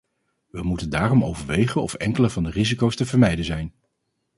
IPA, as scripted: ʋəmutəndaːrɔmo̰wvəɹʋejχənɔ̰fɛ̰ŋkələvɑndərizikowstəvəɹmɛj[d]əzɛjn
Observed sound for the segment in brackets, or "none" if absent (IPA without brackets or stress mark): d